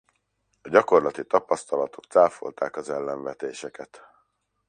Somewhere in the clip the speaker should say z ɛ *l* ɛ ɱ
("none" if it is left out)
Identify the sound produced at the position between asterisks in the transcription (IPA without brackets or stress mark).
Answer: lː